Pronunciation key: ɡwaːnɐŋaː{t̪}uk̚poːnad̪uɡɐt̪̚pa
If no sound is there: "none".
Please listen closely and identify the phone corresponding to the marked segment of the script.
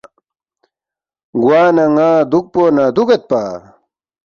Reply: d̪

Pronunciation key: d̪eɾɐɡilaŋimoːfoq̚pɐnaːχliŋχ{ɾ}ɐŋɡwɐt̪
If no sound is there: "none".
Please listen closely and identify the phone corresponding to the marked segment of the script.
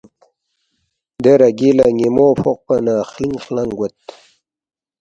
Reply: l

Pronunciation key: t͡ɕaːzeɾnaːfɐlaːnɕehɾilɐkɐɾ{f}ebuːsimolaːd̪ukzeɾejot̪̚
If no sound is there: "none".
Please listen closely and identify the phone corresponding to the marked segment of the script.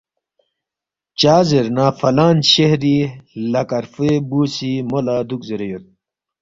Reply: f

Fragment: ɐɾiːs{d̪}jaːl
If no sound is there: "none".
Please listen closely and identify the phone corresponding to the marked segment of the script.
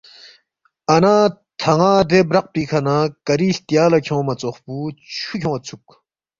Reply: t̪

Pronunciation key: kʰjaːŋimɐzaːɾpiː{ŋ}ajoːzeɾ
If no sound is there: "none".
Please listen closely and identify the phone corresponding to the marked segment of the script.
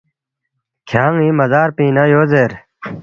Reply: n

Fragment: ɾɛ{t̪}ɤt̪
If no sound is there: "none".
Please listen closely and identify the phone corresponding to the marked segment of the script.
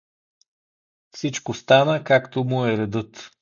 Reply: d̪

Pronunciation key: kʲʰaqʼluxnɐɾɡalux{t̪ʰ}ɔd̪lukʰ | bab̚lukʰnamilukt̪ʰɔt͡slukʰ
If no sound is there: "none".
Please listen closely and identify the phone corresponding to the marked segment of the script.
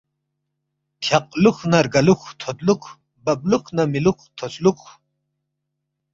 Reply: t̪ʰ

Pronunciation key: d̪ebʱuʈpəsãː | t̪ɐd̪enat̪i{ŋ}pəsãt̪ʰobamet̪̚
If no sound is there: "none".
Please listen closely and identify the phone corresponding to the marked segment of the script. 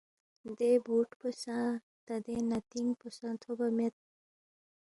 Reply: ŋ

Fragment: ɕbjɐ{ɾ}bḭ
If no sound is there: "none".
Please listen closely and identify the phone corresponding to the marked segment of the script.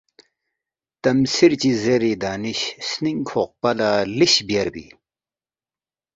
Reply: ɾ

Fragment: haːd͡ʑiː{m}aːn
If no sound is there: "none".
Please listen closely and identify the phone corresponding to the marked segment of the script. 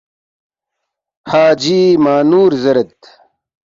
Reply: m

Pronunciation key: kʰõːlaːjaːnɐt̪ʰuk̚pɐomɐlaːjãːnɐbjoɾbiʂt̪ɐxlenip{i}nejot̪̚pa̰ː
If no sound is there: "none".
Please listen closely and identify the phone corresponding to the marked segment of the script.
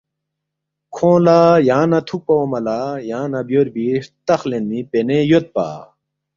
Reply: e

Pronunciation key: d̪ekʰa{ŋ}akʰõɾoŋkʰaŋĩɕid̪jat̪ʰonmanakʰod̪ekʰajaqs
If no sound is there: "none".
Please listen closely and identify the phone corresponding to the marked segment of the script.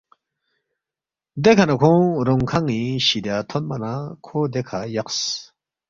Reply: n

